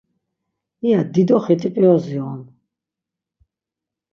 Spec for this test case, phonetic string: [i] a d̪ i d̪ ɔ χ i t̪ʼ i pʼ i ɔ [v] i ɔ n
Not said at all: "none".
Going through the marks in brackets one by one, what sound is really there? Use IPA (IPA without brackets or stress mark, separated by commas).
i, z